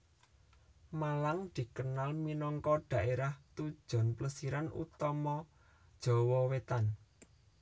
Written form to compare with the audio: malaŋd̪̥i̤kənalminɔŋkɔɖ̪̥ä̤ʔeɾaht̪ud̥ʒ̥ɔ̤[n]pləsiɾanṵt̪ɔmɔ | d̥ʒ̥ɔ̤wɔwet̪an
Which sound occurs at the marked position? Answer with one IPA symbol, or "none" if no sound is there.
n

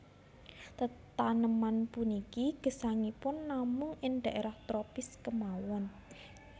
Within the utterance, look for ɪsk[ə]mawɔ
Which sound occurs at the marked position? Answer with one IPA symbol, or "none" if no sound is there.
ə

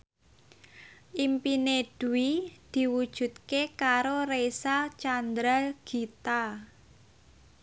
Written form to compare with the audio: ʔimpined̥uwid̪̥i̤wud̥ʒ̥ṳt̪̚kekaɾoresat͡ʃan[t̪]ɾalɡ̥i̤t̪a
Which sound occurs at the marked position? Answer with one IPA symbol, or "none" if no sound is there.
d̪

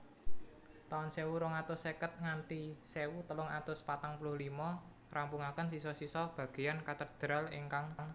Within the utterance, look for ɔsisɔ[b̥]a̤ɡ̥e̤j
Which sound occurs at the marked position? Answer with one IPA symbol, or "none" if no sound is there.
b̥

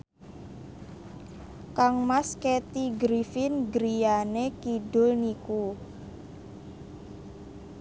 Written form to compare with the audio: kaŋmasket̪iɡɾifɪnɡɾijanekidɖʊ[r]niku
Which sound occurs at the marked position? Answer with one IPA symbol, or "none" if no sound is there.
l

